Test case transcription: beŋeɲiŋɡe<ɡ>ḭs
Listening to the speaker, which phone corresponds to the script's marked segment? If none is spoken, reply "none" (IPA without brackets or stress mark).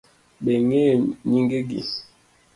ɡ